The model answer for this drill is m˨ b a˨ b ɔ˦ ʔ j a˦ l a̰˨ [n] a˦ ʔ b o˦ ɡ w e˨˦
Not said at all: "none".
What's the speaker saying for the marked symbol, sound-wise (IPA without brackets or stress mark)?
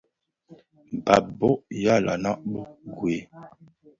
n